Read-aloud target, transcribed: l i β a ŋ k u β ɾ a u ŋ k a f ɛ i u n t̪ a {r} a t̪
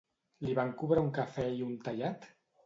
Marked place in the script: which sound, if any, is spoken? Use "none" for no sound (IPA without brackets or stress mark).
ʎ